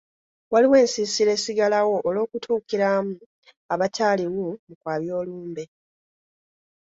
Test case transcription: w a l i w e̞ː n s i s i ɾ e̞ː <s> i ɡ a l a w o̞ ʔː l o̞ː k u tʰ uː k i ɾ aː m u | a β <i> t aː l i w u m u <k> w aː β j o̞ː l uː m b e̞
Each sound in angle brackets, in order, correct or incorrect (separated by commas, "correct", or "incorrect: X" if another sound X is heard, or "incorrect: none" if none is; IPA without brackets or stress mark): correct, incorrect: a, correct